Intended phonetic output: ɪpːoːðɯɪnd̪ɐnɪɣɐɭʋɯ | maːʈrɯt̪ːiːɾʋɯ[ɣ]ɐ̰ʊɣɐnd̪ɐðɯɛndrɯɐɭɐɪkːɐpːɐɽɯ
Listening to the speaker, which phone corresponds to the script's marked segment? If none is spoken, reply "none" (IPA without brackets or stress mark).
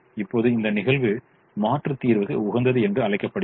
ɣ